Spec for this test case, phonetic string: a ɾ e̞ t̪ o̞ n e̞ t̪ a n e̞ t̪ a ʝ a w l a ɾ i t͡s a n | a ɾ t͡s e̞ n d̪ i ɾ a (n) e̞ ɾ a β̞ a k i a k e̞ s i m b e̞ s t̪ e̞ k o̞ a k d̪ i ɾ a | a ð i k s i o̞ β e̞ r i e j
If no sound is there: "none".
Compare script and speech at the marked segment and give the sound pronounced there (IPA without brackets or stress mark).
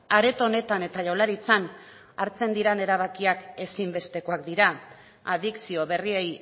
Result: n